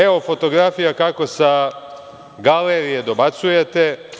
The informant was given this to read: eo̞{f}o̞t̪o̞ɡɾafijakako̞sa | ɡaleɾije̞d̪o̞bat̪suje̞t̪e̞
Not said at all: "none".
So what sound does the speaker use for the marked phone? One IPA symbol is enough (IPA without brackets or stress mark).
f